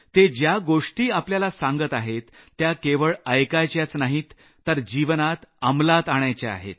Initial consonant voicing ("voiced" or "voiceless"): voiceless